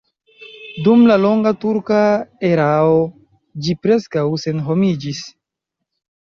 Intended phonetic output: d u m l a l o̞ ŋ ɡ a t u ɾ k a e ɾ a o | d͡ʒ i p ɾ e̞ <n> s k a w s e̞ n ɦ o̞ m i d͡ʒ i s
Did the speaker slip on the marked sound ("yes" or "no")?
yes